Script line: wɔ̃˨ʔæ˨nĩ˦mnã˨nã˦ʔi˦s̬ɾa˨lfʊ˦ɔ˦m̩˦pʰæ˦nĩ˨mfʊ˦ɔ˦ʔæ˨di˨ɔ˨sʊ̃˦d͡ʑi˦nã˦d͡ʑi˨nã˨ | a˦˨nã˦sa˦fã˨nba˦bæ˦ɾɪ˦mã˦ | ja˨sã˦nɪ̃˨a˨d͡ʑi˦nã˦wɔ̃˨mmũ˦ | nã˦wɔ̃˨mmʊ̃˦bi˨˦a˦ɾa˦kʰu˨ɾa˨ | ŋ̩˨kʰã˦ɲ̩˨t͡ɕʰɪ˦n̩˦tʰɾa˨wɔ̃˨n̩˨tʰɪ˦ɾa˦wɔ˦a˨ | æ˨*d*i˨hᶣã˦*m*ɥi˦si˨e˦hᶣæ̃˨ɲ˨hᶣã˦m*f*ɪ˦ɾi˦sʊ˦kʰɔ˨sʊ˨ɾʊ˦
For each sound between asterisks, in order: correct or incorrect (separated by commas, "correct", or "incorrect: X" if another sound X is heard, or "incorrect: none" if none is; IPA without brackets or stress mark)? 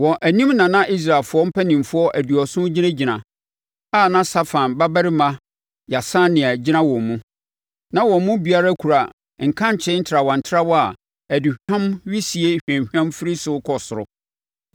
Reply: correct, correct, correct